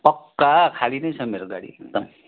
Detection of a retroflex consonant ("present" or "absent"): present